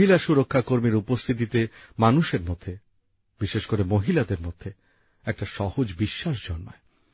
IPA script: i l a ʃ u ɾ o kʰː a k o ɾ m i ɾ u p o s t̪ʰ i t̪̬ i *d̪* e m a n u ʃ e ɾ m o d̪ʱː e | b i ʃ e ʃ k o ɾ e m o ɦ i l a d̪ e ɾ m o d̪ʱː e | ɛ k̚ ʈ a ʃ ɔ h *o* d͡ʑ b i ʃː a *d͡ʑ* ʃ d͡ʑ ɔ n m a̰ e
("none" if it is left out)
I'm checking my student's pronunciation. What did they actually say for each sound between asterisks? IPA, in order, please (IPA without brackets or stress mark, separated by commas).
t̪, o, none